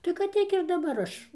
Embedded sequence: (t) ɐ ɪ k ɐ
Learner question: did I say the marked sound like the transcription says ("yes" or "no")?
yes